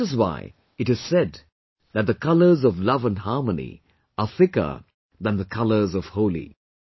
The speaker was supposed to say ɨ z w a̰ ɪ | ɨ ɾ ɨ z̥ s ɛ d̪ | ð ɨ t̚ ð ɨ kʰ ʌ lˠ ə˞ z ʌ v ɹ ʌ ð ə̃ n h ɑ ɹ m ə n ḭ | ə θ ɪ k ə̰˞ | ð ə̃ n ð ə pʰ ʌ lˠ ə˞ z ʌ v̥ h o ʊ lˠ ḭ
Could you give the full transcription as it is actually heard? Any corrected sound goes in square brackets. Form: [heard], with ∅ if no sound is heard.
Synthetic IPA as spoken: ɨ z w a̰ ɪ | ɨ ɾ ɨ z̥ s ɛ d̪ | ð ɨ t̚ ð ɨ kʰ ʌ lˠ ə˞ z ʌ v [l] ʌ [v] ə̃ n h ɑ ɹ m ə n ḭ | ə θ ɪ k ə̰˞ | ð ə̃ n ð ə [kʰ] ʌ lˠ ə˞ z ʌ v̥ h o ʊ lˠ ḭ